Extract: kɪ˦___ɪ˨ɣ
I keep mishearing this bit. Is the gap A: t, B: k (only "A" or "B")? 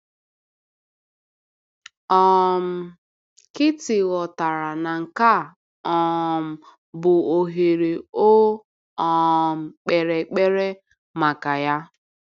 A